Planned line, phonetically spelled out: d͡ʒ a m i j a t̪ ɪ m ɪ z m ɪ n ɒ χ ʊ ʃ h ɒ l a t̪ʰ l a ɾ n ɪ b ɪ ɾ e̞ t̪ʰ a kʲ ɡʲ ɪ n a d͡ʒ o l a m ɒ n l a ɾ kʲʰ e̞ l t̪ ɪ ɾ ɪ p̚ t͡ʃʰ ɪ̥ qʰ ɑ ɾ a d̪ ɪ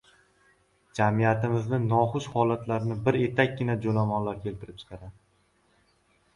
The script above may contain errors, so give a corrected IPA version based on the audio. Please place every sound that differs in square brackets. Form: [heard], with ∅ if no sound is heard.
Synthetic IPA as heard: d͡ʒ a m i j a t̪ ɪ m ɪ z [n] ɪ n ɒ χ ʊ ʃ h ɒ l a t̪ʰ l a ɾ n ɪ b ɪ ɾ e̞ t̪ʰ a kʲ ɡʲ ɪ n a d͡ʒ o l a m ɒ n l a ɾ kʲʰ e̞ l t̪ ɪ ɾ ɪ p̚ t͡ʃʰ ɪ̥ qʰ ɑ ɾ a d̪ ɪ